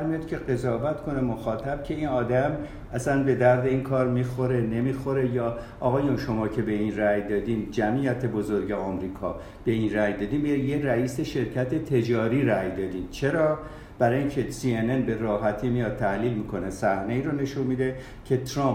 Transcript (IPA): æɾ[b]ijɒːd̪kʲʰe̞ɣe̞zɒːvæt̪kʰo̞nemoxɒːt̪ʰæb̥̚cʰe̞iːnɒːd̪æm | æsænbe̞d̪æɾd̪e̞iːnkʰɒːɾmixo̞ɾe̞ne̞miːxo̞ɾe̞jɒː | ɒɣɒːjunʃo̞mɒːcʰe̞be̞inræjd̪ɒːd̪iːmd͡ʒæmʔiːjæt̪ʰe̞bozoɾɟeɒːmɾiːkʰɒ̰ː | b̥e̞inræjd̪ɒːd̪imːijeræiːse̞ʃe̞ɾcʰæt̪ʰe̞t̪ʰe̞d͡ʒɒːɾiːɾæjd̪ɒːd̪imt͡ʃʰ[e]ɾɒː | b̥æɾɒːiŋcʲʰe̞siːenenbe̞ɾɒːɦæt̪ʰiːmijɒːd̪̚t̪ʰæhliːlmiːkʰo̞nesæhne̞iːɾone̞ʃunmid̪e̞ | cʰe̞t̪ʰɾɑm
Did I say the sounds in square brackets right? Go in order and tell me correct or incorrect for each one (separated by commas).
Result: incorrect, correct